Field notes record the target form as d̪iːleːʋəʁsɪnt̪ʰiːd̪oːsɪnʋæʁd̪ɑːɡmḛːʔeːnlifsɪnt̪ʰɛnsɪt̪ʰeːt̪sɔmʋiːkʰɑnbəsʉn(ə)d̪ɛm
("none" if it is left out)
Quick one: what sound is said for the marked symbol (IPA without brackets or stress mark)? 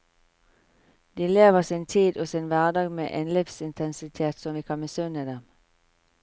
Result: ə